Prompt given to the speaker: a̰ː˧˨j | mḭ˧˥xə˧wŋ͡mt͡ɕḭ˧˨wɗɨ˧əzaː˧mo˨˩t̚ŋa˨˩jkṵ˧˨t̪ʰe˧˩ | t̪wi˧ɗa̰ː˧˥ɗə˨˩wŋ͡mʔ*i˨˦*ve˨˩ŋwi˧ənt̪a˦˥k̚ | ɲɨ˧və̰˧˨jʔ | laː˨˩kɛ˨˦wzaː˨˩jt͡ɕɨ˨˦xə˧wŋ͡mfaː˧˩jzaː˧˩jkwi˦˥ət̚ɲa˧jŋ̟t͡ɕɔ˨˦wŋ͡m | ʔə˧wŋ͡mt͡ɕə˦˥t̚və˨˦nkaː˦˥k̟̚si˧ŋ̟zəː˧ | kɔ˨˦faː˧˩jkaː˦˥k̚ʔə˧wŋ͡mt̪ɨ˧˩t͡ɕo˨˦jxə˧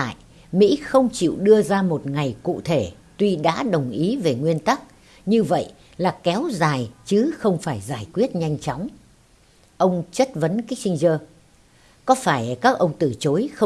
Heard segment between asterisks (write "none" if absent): i˨˦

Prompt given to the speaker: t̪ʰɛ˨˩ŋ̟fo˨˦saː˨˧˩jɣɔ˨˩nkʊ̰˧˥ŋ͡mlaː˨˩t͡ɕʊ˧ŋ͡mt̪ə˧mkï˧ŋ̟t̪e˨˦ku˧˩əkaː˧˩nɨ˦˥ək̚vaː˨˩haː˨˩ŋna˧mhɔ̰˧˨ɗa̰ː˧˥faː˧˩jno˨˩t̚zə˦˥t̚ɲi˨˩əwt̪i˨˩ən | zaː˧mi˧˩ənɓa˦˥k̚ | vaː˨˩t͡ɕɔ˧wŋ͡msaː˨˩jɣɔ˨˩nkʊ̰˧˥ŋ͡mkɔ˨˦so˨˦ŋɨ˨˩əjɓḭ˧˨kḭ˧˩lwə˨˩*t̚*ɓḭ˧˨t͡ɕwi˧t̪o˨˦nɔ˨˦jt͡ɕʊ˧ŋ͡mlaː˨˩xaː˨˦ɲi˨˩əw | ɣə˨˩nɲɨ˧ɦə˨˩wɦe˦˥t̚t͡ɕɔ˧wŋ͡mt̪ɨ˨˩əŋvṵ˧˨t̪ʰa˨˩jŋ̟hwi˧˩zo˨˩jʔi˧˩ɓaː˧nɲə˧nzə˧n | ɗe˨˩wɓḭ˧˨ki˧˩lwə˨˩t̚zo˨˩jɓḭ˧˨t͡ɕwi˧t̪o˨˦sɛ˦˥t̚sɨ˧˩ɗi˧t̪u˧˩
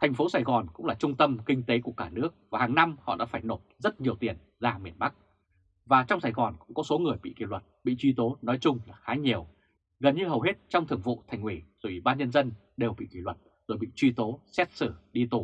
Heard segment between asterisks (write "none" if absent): t̚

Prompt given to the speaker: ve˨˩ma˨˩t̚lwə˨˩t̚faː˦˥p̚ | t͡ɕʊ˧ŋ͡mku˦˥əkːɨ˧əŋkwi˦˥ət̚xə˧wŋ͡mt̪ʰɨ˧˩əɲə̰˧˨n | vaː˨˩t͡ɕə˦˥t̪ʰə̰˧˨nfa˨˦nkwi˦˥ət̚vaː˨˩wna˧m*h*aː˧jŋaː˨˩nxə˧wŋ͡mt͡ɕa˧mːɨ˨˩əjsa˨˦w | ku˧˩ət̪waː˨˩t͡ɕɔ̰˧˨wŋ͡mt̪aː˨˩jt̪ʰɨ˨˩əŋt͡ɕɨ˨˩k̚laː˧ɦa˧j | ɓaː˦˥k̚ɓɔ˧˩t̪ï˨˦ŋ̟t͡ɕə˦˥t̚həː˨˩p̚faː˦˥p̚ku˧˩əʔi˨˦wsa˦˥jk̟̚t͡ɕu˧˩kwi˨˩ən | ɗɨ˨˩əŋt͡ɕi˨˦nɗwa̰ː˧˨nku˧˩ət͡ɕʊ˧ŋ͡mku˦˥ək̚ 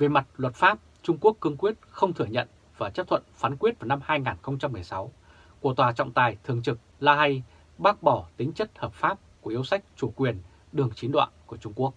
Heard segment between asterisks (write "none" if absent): h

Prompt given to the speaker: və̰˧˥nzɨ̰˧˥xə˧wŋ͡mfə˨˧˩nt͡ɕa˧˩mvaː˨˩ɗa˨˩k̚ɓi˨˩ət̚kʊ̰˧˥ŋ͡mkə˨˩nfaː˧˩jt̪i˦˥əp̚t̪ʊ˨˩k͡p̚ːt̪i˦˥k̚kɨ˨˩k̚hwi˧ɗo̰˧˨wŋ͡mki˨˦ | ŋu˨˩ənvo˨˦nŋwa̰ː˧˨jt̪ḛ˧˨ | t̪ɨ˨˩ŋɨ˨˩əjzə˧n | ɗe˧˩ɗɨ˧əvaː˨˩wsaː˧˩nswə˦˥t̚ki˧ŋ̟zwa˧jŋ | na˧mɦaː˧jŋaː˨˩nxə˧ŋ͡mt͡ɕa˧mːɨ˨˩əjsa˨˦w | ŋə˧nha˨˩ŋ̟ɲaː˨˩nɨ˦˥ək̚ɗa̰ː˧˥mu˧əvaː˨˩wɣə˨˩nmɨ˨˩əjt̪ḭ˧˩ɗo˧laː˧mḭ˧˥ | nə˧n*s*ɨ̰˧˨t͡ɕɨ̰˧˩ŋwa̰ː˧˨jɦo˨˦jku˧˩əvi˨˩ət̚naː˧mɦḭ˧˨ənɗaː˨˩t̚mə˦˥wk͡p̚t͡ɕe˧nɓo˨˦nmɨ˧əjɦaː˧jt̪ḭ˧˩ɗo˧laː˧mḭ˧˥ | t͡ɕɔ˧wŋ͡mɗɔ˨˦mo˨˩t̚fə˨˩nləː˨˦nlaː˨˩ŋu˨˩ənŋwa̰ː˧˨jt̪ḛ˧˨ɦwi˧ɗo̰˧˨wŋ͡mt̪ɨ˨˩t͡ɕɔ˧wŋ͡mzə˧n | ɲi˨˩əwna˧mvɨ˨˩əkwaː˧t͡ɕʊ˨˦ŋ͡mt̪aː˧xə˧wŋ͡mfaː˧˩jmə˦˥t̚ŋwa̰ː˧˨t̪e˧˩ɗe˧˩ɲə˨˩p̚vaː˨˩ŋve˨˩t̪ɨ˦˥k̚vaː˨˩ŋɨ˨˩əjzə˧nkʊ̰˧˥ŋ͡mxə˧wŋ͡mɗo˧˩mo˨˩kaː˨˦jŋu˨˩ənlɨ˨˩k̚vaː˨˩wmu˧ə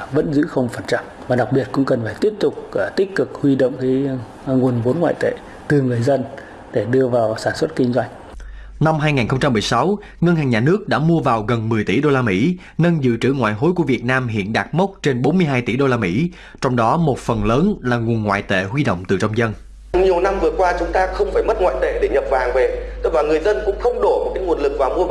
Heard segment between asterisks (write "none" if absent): z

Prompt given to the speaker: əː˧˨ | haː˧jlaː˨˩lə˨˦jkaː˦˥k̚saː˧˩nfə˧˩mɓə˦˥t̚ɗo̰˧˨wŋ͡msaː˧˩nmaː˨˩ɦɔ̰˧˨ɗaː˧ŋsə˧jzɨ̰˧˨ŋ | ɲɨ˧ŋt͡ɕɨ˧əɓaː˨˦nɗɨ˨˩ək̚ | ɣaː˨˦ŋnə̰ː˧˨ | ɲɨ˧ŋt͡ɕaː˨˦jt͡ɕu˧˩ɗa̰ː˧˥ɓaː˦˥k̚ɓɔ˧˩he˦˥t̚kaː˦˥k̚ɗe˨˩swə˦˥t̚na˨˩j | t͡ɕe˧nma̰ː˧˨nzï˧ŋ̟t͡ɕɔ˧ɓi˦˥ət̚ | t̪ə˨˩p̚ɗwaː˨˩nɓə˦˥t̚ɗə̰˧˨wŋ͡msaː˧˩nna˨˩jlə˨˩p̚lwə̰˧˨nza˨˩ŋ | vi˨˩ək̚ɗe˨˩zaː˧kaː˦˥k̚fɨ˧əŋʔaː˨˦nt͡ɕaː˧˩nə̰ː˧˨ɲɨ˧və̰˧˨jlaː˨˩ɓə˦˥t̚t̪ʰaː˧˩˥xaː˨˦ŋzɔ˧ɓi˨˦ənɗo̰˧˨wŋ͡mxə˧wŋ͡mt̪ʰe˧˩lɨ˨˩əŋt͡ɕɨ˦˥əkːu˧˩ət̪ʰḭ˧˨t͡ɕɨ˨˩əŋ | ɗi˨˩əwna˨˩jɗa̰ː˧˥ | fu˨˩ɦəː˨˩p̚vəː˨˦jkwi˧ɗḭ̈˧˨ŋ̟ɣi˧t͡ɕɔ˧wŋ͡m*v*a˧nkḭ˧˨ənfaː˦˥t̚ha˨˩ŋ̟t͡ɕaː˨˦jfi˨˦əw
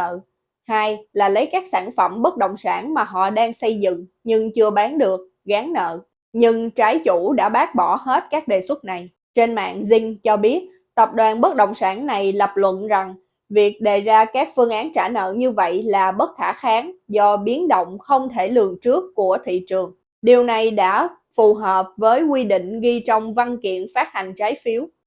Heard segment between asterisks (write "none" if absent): v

